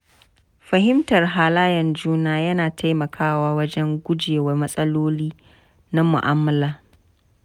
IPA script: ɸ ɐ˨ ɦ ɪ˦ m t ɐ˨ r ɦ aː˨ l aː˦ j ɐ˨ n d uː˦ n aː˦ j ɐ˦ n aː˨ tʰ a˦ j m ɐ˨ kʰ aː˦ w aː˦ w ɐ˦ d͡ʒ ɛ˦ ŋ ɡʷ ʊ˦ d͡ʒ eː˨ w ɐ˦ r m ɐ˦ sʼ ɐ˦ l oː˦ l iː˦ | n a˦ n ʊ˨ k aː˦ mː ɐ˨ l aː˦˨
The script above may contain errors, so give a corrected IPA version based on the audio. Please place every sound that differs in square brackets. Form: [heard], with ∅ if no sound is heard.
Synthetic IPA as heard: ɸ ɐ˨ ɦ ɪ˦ m t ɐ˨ r ɦ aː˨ l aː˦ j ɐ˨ n [d͡ʒ] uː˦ n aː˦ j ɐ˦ n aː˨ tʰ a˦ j m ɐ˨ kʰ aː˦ w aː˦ w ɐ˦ d͡ʒ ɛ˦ ŋ ɡʷ ʊ˦ d͡ʒ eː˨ w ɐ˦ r m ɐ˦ sʼ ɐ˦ l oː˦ l iː˦ | n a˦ [m] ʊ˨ [ʔ] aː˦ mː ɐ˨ l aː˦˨